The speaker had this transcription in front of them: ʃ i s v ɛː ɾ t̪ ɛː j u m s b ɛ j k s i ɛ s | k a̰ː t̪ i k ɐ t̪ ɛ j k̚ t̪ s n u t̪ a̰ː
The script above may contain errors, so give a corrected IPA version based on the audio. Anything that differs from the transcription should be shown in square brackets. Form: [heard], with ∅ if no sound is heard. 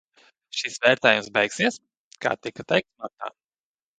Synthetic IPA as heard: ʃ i s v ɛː ɾ t̪ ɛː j u m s b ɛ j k s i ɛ s | k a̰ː t̪ i k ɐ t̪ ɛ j k̚ t̪ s n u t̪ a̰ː